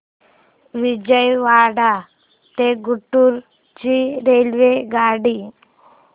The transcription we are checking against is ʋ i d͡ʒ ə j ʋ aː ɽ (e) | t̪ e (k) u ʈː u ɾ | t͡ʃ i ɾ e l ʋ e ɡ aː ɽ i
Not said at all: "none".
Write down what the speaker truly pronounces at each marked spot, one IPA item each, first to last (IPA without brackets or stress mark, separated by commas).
a, ɡ